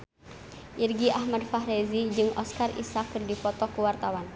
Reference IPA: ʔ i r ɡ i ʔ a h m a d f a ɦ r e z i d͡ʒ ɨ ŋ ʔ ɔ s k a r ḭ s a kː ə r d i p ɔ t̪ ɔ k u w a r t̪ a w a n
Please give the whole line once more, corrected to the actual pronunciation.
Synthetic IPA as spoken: ʔ i r ɡ i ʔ a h m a d f a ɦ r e z i d͡ʒ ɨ ŋ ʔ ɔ s k a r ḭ s a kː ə r d i p ɔ t̪ ɔ k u w a r t̪ a w a n